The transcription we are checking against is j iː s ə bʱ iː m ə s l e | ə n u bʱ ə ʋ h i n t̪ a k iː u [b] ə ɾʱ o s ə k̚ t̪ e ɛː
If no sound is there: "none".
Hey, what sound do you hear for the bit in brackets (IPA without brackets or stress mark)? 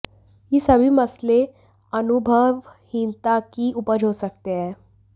p